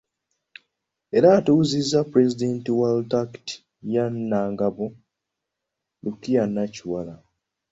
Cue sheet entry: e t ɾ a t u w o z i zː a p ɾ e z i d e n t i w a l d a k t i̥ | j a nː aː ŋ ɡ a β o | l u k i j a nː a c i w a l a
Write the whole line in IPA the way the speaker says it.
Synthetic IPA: e ɾ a t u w u z i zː a p ɾ e z i d e n t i w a l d a k t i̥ | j a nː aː ŋ ɡ a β o | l u k i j a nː a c i w a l a